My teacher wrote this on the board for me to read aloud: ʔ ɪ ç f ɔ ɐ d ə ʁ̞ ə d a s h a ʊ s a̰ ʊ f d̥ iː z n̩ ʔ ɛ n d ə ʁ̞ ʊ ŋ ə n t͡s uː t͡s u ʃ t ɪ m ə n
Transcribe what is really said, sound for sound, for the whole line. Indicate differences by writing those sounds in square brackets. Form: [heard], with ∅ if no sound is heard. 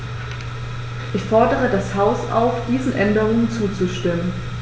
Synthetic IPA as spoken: ʔ ɪ ç f ɔ ɐ d ə ʁ̞ ə d a s h a ʊ s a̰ ʊ f d̥ iː z n̩ ʔ ɛ n d ə ʁ̞ ʊ ŋ ə n t͡s uː t͡s u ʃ t ɪ m ə n